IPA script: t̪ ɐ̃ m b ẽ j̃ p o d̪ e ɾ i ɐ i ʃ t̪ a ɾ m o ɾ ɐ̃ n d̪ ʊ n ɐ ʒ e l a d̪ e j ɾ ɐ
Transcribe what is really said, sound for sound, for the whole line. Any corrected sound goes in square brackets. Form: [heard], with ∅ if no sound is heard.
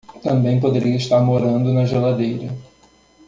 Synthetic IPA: t̪ ɐ̃ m b ẽ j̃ p o d̪ e ɾ i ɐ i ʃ t̪ a ɾ m o ɾ ɐ̃ n d̪ ʊ n ɐ ʒ e l a d̪ e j ɾ ɐ